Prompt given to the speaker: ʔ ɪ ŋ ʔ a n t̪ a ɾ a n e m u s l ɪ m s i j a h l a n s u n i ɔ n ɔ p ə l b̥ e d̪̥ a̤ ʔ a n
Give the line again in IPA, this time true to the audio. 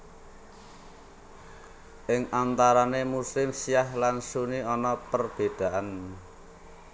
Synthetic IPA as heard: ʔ ɪ ŋ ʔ a n t̪ a ɾ a n e m u s l ɪ m s i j a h l a n s u n i ɔ n ɔ p ə r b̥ e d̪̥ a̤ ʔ a n